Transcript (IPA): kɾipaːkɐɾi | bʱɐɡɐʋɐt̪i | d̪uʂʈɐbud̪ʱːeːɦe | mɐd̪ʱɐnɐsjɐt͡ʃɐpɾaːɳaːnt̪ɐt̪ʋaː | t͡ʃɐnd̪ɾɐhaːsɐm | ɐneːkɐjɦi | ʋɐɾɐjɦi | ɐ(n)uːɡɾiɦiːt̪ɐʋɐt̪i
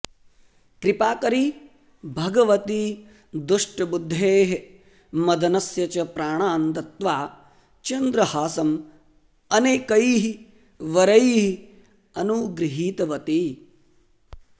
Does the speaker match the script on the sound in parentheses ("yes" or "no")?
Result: yes